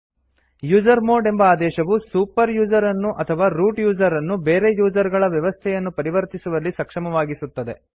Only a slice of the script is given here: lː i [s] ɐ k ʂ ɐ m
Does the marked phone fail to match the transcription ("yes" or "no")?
no